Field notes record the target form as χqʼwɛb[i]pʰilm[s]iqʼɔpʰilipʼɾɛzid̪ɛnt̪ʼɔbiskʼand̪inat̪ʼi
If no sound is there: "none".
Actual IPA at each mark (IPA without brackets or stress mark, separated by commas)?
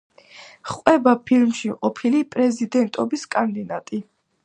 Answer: a, ʃ